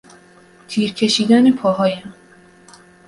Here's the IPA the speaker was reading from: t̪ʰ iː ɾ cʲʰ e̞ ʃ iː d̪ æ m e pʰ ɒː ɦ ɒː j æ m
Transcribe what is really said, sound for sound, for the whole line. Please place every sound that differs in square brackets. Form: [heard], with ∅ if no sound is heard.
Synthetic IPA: t̪ʰ iː ɾ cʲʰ e̞ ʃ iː d̪ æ [n] e pʰ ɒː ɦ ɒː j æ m